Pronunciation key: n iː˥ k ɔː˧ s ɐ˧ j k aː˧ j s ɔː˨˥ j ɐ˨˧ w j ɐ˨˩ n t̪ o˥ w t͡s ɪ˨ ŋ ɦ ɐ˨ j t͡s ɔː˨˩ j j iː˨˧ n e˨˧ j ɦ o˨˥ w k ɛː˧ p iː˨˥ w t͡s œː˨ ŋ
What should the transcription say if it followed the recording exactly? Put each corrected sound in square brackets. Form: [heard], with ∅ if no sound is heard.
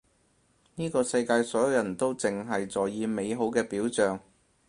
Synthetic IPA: n iː˥ k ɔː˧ s ɐ˧ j k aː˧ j s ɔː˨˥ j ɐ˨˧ w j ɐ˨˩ n t̪ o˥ w t͡s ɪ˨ ŋ ɦ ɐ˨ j t͡s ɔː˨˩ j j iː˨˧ [m] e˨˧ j ɦ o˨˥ w k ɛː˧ p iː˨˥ w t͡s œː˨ ŋ